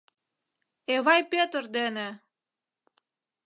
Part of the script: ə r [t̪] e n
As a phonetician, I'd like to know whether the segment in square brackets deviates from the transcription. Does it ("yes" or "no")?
yes